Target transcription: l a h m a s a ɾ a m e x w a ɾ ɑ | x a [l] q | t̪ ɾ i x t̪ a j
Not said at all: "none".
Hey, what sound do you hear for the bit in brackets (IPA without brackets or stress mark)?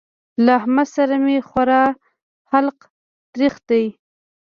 l